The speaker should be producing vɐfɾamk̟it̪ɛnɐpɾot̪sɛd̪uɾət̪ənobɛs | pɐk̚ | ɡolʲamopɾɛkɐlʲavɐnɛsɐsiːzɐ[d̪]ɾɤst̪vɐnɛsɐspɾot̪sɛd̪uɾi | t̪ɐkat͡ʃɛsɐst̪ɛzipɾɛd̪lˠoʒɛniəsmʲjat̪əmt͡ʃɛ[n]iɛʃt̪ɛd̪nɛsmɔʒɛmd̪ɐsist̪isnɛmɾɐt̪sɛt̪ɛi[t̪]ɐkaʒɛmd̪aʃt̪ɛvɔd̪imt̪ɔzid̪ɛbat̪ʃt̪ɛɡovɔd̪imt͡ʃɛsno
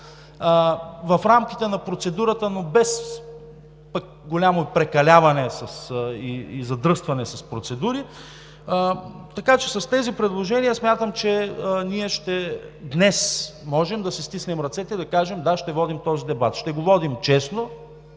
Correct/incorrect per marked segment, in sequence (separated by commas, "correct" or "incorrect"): correct, correct, incorrect